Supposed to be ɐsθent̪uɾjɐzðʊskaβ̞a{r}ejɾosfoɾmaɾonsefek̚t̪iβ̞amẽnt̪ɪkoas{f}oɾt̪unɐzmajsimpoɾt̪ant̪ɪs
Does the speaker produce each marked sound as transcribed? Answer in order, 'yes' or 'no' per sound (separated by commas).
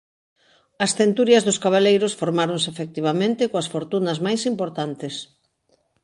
no, yes